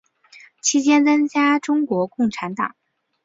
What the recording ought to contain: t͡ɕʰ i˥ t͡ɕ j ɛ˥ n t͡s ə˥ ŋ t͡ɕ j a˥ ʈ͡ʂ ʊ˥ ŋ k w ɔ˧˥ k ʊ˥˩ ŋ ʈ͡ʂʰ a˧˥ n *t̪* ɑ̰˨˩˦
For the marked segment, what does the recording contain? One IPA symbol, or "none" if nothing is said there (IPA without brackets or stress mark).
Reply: t̪